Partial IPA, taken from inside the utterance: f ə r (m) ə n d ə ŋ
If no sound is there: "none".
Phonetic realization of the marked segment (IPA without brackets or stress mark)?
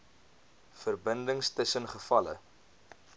b